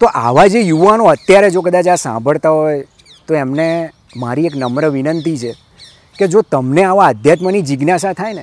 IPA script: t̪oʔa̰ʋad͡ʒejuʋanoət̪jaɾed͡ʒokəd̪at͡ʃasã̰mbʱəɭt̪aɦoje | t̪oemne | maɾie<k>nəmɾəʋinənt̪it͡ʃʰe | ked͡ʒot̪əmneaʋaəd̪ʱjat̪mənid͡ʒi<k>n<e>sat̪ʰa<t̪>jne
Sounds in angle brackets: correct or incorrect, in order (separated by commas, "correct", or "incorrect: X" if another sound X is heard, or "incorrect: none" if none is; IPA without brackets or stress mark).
correct, incorrect: ɡ, incorrect: a, incorrect: none